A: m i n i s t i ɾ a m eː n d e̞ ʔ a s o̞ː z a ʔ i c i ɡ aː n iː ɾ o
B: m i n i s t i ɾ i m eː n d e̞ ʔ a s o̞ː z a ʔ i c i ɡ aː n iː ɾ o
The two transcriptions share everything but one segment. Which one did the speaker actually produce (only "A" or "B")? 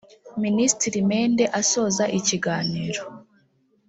B